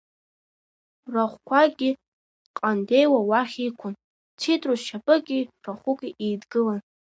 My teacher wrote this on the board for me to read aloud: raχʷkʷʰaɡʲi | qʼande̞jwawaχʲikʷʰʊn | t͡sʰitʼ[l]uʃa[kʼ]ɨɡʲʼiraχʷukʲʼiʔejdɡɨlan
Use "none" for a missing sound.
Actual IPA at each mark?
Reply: r, pʼ

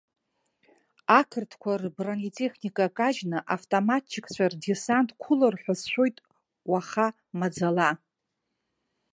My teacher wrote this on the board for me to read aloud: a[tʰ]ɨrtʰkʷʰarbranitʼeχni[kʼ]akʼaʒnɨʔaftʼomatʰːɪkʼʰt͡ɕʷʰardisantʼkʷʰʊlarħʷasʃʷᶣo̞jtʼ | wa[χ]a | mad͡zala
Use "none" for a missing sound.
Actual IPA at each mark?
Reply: kʰ, kʼ, χ

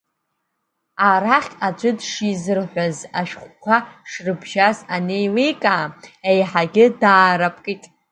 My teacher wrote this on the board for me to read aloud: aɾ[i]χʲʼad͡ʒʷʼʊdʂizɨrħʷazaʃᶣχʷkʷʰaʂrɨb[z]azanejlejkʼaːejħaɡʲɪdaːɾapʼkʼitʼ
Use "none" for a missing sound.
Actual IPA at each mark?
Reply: a, ʒ

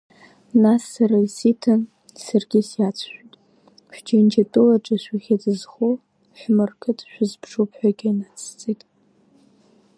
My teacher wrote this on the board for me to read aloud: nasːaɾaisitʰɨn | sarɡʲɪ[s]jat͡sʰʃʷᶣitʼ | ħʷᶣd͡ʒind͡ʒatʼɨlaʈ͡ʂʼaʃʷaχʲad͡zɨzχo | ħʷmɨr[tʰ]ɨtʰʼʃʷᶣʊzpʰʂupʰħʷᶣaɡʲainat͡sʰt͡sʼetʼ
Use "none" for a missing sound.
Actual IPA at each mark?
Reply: s, kʰ

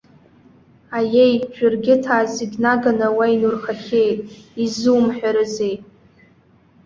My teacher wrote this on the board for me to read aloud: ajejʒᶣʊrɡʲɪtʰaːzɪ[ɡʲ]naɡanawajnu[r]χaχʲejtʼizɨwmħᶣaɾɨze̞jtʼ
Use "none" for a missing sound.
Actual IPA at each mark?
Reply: ɡʲ, r

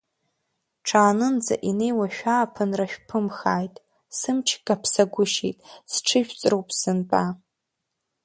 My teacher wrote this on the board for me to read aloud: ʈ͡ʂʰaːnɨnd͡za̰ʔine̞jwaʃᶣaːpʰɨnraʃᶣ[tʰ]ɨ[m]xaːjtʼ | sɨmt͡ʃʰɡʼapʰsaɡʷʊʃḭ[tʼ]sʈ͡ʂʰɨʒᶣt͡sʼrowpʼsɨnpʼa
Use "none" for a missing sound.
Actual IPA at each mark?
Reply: pʰ, m, tʼ

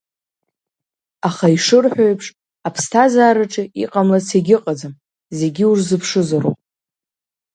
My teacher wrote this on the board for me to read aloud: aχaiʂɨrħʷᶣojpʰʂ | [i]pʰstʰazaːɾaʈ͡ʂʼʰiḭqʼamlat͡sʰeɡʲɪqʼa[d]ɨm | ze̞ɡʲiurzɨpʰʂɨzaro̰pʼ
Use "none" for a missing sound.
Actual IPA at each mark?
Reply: a, d͡z

